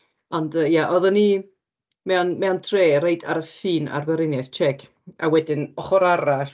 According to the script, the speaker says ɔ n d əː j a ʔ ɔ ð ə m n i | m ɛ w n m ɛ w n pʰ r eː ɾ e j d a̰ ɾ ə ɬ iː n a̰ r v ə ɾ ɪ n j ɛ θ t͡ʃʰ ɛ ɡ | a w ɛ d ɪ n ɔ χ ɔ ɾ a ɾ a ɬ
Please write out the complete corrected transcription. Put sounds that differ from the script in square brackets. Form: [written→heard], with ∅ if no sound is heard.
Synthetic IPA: ɔ n d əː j a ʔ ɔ ð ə [m→∅] n i | m ɛ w n m ɛ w n [pʰ→tʰ] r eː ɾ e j d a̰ ɾ ə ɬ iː n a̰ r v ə ɾ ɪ n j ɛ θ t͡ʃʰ ɛ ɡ | a w ɛ d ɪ n ɔ χ ɔ ɾ a ɾ a ɬ